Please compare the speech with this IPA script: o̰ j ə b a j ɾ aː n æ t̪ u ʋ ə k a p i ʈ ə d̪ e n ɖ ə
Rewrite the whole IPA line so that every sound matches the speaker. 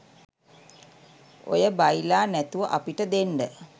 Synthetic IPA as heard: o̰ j ə b a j l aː n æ t̪ u ʋ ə ʔ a p i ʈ ə d̪ e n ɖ ə